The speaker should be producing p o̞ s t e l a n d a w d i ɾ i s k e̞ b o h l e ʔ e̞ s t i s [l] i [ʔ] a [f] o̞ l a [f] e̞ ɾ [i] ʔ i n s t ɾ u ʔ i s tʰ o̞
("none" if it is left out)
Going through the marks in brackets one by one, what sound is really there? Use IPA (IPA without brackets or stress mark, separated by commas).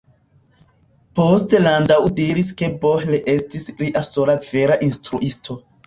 l, ʔ, s, v, a